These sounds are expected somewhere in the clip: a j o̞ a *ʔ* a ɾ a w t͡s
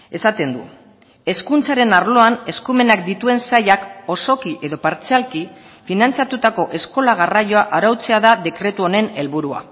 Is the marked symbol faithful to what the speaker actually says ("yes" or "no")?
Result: yes